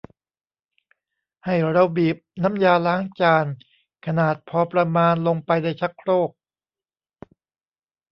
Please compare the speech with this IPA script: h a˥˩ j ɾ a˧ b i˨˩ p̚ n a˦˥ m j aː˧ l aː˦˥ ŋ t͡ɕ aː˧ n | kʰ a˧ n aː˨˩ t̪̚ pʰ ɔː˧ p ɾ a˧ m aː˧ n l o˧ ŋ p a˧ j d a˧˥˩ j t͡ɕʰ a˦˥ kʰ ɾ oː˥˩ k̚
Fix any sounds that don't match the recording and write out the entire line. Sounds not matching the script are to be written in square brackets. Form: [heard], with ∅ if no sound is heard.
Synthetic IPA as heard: h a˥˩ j ɾ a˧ b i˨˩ p̚ n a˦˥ m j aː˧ l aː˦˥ ŋ t͡ɕ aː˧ n | kʰ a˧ n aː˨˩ t̪̚ pʰ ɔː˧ p ɾ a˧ m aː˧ n l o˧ ŋ p a˧ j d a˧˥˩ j t͡ɕʰ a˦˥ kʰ ɾ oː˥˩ k̚

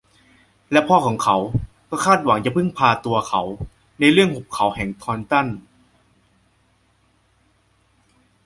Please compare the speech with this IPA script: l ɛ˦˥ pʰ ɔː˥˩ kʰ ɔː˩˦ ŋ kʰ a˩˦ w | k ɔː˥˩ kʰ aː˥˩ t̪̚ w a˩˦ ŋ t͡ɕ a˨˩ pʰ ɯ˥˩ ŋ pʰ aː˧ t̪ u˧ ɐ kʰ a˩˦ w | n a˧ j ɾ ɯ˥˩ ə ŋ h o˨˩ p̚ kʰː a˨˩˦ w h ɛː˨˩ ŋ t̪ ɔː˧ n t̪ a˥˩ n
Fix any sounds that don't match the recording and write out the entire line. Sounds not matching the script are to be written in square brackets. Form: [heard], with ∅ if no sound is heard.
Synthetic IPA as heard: l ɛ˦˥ pʰ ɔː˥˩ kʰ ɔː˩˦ ŋ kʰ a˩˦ w | k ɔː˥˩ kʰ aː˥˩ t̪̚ w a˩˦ ŋ t͡ɕ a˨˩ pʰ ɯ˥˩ ŋ pʰ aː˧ t̪ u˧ ɐ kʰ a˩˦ w | n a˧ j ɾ ɯ˥˩ ə ŋ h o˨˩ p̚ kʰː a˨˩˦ w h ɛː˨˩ ŋ [t̪ʰ] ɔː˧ n t̪ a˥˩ n

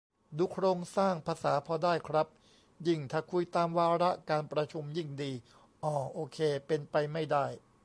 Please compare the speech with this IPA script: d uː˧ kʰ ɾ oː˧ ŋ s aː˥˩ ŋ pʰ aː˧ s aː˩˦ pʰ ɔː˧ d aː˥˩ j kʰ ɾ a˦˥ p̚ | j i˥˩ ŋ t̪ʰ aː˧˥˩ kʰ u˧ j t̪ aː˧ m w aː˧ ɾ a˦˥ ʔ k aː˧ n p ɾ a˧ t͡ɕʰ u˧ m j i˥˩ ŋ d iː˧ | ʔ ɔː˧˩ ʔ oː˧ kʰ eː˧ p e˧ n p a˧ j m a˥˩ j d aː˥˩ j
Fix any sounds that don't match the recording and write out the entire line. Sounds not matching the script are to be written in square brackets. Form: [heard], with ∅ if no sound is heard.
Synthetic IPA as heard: d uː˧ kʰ ɾ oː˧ ŋ s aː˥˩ ŋ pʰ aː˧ s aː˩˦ pʰ ɔː˧ d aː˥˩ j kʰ ɾ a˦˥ p̚ | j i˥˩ ŋ t̪ʰ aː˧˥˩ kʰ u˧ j t̪ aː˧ m w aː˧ ɾ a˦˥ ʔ k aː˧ n p ɾ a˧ t͡ɕʰ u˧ m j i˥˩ ŋ d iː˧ | ʔ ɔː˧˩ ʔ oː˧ kʰ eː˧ p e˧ n p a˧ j m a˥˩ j d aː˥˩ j

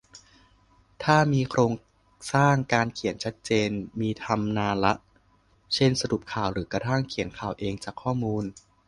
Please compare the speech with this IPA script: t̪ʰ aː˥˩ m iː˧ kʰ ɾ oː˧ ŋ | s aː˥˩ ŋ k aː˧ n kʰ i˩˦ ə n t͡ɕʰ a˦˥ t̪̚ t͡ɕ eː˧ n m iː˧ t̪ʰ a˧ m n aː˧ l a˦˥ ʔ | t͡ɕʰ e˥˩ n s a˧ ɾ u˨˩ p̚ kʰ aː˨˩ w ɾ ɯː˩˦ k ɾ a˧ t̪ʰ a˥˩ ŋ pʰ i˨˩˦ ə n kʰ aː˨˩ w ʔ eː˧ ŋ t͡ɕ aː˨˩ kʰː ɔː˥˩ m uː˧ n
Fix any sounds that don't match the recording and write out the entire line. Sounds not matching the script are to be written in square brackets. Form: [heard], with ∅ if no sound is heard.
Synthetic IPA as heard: t̪ʰ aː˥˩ m iː˧ kʰ ɾ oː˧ ŋ | s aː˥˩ ŋ k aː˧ n kʰ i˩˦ ə n t͡ɕʰ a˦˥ t̪̚ t͡ɕ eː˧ n m iː˧ t̪ʰ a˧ m n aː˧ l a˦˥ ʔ | t͡ɕʰ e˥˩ n s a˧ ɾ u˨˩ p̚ kʰ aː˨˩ w ɾ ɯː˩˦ k ɾ a˧ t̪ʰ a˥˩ ŋ [kʰ] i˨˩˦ ə n kʰ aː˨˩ w ʔ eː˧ ŋ t͡ɕ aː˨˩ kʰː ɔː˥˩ m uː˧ n

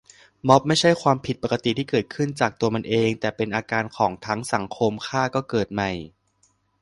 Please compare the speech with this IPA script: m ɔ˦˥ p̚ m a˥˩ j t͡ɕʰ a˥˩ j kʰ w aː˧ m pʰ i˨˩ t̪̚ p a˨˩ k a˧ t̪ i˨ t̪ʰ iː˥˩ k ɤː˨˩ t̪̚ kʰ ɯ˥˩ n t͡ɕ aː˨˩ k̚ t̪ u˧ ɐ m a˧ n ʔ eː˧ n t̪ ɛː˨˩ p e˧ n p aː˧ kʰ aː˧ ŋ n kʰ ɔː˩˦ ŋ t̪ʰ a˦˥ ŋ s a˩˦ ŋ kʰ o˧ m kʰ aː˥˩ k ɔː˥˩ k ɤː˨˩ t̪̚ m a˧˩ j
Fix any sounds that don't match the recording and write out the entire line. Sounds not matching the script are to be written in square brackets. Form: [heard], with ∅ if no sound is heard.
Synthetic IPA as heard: m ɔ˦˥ p̚ m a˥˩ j t͡ɕʰ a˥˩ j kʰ w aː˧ m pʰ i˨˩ t̪̚ p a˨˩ k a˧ t̪ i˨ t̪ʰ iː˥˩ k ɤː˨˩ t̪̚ kʰ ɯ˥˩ n t͡ɕ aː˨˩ k̚ t̪ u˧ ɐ m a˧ n ʔ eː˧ [ŋ] t̪ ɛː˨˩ p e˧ n [ʔ] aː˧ [k] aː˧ [∅] n kʰ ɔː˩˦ ŋ t̪ʰ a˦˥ ŋ s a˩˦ ŋ kʰ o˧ m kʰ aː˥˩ k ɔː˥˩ k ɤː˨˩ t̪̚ m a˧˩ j

